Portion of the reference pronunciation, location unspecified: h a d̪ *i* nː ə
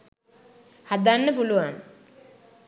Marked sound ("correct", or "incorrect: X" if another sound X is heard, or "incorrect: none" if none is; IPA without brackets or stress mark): incorrect: a